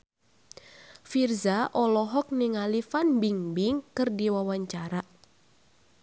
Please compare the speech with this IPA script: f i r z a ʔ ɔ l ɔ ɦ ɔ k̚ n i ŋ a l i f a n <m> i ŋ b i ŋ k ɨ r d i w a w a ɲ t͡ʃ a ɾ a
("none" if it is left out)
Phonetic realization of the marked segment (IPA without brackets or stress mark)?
b